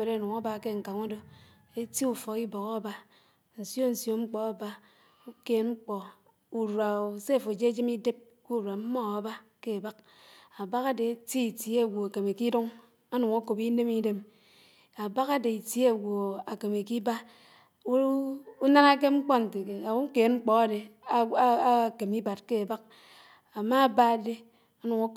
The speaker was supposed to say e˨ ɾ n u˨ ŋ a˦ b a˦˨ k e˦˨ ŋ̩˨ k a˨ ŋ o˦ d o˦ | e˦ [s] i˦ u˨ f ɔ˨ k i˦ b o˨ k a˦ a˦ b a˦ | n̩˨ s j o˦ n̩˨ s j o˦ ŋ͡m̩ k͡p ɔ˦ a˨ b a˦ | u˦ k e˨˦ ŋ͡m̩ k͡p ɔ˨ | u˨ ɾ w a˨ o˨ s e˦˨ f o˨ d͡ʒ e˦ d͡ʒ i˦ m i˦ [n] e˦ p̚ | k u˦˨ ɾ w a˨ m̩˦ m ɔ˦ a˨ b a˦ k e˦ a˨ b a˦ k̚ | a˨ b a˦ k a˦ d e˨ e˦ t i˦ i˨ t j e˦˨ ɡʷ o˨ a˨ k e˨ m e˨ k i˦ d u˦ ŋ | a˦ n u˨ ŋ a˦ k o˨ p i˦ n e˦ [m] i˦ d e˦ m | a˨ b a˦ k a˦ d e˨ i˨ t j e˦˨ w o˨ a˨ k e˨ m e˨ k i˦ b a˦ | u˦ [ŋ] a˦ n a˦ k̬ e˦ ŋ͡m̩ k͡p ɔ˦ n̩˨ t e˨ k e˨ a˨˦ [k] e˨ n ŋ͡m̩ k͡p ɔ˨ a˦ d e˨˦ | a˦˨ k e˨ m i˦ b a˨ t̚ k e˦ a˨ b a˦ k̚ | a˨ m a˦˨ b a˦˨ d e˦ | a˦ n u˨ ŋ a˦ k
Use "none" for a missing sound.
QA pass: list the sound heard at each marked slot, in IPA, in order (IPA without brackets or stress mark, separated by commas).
t, d, m, n, k